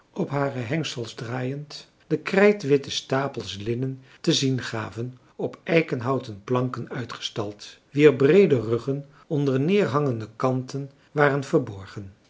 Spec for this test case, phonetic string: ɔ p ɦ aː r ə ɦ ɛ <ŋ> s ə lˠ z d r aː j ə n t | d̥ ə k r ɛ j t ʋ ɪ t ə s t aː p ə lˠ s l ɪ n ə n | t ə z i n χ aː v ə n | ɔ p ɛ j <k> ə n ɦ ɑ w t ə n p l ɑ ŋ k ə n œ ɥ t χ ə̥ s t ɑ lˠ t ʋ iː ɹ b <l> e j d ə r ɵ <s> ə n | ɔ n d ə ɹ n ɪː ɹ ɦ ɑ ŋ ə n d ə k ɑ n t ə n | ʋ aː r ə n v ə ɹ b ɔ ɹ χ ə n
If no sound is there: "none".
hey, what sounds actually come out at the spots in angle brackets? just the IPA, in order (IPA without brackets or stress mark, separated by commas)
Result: ŋ, k, r, χ